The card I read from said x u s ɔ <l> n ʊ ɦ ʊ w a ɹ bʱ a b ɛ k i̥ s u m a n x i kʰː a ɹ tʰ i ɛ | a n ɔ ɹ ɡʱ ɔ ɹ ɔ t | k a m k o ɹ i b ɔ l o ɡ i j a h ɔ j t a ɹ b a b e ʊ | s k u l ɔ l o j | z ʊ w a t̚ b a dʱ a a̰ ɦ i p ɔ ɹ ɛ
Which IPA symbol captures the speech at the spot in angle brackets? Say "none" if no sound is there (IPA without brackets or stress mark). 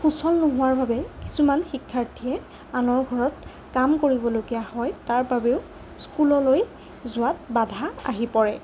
l